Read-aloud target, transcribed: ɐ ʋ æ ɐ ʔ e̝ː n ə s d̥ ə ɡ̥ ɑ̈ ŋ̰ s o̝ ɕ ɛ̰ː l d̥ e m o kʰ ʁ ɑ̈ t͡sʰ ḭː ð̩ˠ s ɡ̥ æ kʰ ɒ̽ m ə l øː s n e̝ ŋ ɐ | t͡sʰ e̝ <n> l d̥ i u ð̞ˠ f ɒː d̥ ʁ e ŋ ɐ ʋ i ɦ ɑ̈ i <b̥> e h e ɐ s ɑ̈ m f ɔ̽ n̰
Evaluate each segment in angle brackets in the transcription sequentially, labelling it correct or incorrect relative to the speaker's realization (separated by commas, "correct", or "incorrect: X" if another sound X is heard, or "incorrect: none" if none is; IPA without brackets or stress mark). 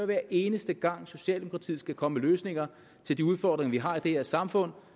incorrect: none, incorrect: d̥